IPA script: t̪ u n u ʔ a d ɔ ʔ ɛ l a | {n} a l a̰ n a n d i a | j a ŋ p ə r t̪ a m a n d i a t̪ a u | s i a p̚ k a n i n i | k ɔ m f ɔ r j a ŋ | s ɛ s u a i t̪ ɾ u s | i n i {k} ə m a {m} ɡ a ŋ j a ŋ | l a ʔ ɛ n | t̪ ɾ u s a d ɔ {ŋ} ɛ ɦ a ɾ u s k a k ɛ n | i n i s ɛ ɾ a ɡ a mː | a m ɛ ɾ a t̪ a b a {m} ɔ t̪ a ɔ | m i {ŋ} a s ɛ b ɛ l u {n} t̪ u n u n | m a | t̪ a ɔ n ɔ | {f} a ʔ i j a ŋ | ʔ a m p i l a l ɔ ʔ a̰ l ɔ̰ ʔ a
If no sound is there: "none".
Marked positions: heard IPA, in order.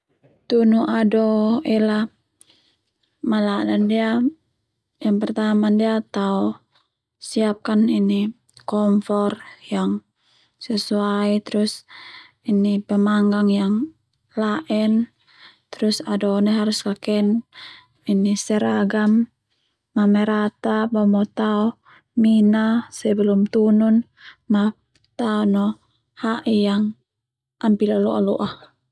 m, p, ŋ, n, m, n, m, h

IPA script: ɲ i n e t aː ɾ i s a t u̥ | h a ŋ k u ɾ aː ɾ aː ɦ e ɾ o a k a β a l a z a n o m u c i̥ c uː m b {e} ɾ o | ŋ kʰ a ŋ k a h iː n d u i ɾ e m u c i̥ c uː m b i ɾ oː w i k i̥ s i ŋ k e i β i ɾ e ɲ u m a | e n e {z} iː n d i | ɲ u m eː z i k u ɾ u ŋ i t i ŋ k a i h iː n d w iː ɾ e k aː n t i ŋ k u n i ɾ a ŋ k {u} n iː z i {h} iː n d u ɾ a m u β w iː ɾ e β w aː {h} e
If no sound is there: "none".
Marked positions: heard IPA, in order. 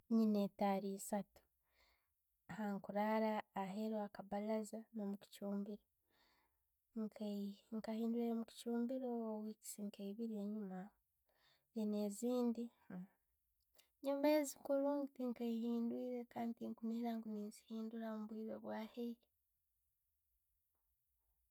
i, z, u, h, h

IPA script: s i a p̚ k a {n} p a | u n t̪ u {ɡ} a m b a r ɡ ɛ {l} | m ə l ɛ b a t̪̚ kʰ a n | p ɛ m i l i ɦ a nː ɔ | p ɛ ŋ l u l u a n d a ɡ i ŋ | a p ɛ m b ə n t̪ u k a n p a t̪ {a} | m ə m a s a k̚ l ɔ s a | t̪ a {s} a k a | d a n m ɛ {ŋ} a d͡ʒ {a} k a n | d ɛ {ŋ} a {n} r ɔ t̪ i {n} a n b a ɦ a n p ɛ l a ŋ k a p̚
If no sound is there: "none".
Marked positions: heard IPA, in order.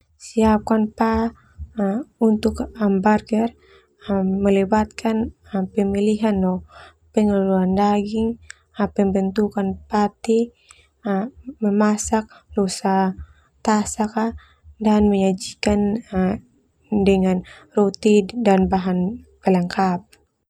n, k, r, i, s, ɲ, i, ŋ, n, d

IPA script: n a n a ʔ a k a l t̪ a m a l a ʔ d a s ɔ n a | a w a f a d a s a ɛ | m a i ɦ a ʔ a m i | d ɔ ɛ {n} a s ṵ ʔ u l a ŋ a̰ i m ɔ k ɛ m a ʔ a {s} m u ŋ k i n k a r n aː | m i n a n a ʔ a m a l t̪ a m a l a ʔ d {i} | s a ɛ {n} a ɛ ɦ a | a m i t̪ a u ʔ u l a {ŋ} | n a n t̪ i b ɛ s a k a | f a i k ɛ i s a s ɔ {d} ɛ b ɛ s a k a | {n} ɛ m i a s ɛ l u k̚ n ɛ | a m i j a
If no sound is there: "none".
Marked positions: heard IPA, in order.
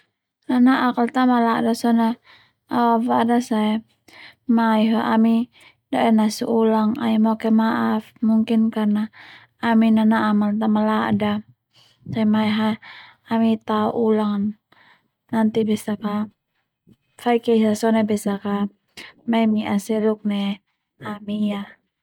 n, f, a, m, ŋ, n, m

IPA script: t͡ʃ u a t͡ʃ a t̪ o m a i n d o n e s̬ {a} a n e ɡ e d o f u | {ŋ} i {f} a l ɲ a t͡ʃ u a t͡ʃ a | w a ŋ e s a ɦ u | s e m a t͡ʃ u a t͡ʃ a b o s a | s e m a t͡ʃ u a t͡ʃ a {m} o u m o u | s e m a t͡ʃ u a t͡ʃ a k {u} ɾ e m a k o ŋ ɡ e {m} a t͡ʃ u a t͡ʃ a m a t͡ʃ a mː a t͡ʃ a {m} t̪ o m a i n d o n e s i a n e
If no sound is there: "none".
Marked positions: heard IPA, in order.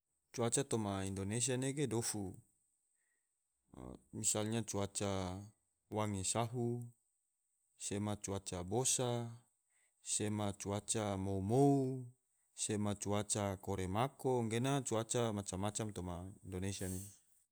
i, m, s, m, o, n, m

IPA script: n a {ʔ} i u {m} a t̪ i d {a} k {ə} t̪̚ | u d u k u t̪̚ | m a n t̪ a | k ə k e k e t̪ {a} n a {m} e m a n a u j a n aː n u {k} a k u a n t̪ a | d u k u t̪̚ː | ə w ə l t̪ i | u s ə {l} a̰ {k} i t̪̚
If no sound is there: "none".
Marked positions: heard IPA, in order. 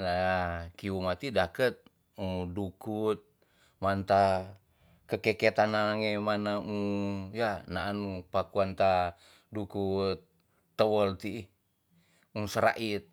k, m, a, ə, a, ŋ, p, ɾ, ʔ

